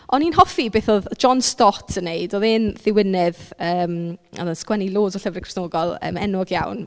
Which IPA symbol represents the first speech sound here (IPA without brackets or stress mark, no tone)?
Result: ɔ